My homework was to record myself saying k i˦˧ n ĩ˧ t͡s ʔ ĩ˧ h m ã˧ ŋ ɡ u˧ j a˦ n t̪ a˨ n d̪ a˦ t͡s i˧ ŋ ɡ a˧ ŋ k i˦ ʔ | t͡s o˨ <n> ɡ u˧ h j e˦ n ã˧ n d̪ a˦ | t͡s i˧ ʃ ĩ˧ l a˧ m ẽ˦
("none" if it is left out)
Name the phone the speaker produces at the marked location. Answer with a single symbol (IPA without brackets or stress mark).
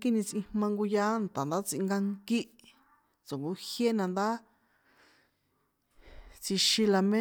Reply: ŋ